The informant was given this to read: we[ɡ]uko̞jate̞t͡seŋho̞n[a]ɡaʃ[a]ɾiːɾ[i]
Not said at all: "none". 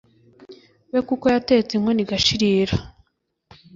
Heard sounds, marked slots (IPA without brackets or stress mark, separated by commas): k, i, i, a